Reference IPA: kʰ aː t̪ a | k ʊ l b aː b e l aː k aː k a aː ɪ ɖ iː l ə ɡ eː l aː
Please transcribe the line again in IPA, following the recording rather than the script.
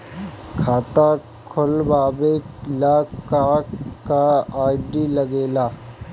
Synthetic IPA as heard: kʰ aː t̪ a | kʰ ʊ l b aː b e l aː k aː k a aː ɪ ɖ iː l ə ɡ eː l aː